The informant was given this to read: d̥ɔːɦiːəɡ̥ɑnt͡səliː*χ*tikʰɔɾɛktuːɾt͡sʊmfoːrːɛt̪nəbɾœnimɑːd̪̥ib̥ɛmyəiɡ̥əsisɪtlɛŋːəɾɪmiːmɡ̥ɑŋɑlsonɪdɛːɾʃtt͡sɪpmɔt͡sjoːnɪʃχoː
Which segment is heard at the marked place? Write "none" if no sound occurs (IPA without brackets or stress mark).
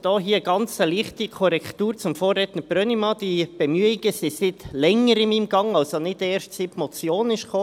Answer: χ